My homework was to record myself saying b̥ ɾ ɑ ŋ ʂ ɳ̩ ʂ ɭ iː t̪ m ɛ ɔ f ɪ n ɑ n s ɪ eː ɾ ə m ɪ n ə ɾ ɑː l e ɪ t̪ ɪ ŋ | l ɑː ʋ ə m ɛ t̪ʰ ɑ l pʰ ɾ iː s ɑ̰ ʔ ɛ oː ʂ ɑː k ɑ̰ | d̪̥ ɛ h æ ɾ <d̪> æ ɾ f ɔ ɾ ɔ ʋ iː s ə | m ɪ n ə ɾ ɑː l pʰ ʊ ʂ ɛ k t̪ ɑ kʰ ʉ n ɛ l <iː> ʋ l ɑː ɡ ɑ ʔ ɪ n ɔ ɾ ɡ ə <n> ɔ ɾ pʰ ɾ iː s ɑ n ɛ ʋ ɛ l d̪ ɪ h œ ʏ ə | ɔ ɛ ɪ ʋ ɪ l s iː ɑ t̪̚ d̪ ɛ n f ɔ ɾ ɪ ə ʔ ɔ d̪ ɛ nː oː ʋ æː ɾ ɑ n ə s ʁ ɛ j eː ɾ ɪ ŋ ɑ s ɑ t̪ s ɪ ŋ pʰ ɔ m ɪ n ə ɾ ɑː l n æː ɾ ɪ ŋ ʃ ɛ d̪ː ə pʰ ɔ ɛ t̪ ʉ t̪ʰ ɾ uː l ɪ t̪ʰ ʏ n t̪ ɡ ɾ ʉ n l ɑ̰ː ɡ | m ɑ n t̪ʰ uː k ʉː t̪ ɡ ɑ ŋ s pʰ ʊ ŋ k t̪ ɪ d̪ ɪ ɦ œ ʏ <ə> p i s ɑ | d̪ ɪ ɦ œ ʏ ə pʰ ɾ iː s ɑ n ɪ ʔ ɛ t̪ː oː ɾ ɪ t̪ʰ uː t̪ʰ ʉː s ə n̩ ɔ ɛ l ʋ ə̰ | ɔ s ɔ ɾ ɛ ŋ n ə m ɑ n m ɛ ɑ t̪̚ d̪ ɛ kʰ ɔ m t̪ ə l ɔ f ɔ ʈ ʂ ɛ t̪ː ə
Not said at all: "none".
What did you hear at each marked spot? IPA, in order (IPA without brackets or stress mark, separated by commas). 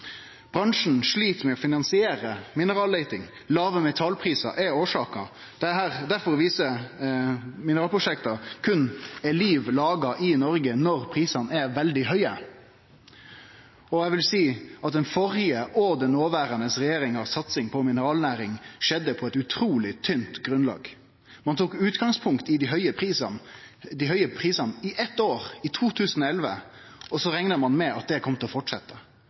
d̪, iː, n, ə